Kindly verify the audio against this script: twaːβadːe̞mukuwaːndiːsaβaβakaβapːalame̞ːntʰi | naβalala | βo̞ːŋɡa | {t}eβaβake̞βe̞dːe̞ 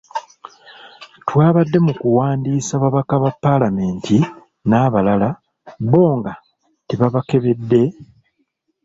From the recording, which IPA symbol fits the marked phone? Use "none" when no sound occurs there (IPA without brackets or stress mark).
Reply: t